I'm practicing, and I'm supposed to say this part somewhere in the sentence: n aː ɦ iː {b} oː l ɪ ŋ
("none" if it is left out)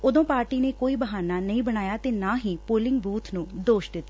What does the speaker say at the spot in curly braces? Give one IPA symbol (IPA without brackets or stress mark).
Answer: p